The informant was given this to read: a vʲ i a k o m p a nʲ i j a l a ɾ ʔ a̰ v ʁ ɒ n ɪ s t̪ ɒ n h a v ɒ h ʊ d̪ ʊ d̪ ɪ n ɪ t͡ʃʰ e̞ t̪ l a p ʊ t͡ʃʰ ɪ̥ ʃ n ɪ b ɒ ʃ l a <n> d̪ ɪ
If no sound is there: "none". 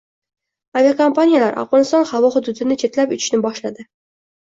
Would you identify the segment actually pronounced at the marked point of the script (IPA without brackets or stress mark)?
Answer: none